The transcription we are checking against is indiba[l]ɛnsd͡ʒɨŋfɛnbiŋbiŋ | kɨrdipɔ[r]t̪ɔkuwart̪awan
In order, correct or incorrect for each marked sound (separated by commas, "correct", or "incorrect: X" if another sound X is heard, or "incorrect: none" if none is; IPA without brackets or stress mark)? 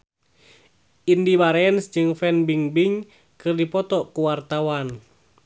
incorrect: ɾ, incorrect: none